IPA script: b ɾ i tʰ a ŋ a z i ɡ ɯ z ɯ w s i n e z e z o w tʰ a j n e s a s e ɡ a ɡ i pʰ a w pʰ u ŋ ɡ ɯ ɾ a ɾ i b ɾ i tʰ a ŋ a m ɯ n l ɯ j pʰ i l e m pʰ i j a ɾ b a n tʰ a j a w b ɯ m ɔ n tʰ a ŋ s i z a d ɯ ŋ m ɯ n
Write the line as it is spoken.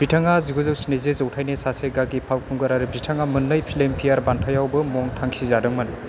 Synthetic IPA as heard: b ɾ i tʰ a ŋ a z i ɡ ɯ z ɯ w s i n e z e z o w tʰ a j n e s a s e ɡ a ɡ i pʰ a w kʰ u ŋ ɡ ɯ ɾ a ɾ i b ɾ i tʰ a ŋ a m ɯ n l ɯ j pʰ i l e m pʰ i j a ɾ b a n tʰ a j a w b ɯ m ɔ ŋ tʰ a ŋ s i z a d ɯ ŋ m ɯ n